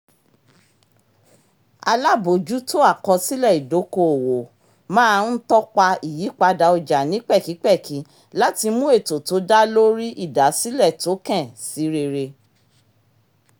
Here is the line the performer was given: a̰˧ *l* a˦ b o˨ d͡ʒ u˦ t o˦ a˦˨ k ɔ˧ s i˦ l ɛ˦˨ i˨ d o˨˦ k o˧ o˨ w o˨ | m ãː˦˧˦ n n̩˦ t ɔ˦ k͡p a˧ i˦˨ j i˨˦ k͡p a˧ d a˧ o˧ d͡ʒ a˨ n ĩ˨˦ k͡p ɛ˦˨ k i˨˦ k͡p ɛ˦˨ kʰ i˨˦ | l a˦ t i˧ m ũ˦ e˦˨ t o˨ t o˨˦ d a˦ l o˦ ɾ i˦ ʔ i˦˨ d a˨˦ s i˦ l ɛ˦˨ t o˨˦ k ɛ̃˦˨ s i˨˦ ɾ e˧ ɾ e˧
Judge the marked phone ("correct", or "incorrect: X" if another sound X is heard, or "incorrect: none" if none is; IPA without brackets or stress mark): correct